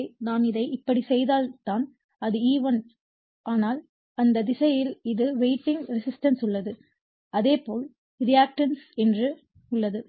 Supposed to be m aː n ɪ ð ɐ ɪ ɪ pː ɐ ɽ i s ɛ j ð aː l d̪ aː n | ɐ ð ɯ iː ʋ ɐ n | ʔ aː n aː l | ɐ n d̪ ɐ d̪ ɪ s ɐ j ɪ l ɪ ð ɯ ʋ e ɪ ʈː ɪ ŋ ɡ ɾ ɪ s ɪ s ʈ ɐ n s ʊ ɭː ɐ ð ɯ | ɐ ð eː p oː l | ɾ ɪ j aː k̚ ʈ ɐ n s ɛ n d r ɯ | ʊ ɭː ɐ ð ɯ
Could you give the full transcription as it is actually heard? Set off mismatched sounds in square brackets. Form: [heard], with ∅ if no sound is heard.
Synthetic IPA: [n] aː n ɪ ð ɐ ɪ ɪ pː ɐ ɽ i s ɛ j ð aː l [t̪] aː n | ɐ ð ɯ iː ʋ ɐ n | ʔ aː n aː l | ɐ n d̪ ɐ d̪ ɪ s ɐ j ɪ l ɪ ð ɯ ʋ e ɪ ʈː ɪ ŋ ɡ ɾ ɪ s ɪ s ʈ ɐ n s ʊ ɭː ɐ ð ɯ | ɐ ð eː p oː l | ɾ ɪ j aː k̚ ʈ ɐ n s ɛ n d r ɯ | ʊ ɭː ɐ ð ɯ

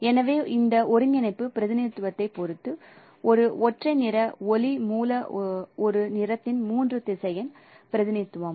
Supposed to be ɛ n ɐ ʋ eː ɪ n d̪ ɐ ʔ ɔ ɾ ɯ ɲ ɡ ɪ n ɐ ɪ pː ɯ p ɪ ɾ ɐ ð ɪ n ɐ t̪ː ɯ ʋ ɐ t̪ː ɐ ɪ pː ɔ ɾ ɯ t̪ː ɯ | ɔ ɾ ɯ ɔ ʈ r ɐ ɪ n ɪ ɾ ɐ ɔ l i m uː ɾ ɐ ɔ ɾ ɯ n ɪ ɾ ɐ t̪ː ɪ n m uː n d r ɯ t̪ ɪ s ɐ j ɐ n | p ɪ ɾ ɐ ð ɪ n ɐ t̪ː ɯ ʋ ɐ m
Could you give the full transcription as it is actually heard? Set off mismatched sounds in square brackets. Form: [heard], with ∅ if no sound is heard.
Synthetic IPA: ɛ n ɐ ʋ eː ɪ n d̪ ɐ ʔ ɔ ɾ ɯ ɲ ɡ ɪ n ɐ ɪ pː ɯ p ɪ ɾ ɐ ð ɪ n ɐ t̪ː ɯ ʋ ɐ t̪ː ɐ ɪ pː ɔ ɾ ɯ t̪ː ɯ | ɔ ɾ ɯ ɔ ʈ r ɐ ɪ n ɪ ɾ ɐ ɔ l i m uː [l] ɐ ɔ ɾ ɯ n ɪ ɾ ɐ t̪ː ɪ n m uː n d r ɯ t̪ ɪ s ɐ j ɐ n | p ɪ ɾ ɐ ð ɪ n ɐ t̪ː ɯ ʋ ɐ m

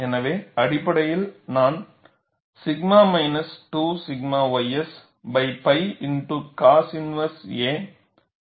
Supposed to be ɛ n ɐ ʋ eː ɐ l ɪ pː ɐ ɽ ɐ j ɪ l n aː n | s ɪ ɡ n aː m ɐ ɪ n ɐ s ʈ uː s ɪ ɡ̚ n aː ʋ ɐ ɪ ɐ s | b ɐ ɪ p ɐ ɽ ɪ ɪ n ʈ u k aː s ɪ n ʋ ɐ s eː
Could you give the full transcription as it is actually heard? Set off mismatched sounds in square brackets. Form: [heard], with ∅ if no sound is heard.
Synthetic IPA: ɛ n ɐ ʋ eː ɐ [ɽ] ɪ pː ɐ ɽ ɐ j ɪ l n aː n | s ɪ ɡ [m] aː m ɐ ɪ n ɐ s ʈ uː s ɪ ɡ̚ [m] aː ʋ ɐ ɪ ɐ s | b ɐ ɪ p ɐ [∅] ɪ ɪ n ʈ u k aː s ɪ n ʋ ɐ s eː

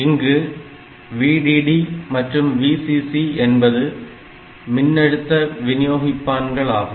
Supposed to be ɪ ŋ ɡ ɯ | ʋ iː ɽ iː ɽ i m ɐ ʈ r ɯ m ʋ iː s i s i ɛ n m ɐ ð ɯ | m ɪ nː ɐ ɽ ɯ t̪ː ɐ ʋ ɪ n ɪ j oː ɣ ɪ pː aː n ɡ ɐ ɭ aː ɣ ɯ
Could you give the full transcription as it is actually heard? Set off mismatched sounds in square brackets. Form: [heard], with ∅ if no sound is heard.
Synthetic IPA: ɪ ŋ ɡ ɯ | ʋ iː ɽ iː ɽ i m ɐ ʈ r ɯ m ʋ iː s i s i ɛ n [b] ɐ ð ɯ | m ɪ nː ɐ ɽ ɯ t̪ː ɐ ʋ ɪ n ɪ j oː ɣ ɪ pː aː n ɡ ɐ ɭ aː ɣ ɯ

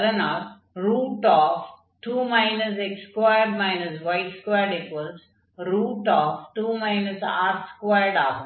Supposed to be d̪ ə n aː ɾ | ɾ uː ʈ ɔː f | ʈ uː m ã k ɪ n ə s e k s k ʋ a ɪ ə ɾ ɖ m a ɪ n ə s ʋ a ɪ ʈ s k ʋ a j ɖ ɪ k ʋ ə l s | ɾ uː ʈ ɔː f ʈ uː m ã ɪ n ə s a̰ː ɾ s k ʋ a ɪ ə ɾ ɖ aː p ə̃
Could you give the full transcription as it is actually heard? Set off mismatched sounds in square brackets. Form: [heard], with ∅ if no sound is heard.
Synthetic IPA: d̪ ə n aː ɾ | ɾ uː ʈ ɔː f | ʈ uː m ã [∅] ɪ n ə s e k s k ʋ a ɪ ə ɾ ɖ m a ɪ n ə s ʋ a ɪ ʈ s k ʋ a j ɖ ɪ k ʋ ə l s | ɾ uː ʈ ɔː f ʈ uː m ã ɪ n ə s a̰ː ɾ s k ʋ a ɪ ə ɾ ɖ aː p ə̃

